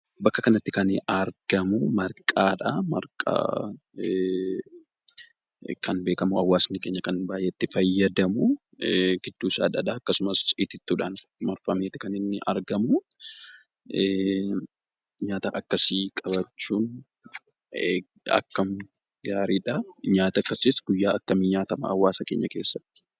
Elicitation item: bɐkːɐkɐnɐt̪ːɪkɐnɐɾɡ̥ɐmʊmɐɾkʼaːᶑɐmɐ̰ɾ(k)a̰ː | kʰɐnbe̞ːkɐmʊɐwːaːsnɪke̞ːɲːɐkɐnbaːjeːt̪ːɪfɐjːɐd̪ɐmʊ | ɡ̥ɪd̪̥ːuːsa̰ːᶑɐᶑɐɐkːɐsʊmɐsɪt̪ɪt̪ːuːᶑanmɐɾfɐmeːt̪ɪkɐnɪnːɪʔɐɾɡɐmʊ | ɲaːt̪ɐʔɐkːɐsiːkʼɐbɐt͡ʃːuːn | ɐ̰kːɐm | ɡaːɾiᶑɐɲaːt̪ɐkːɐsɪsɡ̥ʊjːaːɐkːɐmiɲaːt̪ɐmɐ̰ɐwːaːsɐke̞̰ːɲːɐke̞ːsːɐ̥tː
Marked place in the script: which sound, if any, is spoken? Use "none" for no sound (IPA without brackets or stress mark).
kʼ